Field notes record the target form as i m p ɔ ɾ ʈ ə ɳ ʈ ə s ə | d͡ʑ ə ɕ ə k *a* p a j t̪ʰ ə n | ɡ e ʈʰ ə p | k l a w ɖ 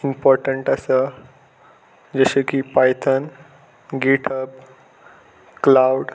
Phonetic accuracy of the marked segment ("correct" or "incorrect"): incorrect